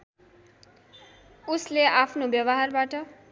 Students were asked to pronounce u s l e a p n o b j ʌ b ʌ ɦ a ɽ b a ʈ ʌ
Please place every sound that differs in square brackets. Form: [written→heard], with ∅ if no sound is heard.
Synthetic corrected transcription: u s l e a [p→pʰ] n o b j ʌ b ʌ ɦ a [ɽ→r] b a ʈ ʌ